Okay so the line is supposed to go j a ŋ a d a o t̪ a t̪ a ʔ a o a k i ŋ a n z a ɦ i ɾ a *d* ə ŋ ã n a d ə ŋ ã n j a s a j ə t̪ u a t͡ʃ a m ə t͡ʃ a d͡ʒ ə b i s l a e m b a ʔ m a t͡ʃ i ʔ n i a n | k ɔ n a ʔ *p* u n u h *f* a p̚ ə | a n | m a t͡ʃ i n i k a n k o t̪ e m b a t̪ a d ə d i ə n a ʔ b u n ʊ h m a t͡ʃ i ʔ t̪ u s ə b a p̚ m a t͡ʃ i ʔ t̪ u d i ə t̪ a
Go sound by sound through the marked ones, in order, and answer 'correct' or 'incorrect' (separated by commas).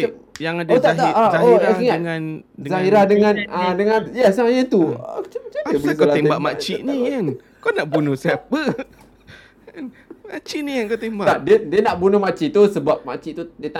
correct, incorrect, incorrect